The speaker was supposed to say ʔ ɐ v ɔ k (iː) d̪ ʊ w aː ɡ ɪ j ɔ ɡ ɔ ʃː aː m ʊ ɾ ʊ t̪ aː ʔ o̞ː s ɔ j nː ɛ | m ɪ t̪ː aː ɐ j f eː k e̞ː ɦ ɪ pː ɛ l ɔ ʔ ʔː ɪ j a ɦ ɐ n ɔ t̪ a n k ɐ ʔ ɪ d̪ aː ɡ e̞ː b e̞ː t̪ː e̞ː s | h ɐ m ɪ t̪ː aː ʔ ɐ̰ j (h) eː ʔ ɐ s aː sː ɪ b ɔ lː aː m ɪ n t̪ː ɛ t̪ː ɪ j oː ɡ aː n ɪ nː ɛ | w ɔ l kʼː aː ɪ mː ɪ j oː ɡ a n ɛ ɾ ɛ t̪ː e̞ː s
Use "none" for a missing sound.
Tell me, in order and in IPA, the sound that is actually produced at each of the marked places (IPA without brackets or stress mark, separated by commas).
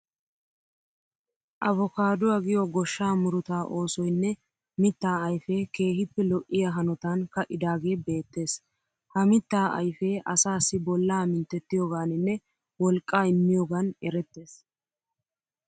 aː, f